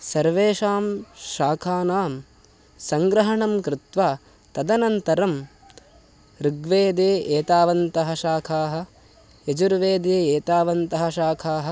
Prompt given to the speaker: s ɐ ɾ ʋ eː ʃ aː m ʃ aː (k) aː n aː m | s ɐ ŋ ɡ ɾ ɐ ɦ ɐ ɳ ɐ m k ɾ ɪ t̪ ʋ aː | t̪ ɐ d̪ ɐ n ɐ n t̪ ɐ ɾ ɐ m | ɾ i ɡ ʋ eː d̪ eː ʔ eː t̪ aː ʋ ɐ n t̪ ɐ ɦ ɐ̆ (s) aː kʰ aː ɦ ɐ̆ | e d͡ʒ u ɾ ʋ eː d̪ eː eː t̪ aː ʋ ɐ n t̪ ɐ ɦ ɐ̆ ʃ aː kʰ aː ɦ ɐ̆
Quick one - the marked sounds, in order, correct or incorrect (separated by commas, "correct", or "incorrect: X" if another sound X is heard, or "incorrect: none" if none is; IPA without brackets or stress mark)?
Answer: incorrect: kʰ, incorrect: ʃ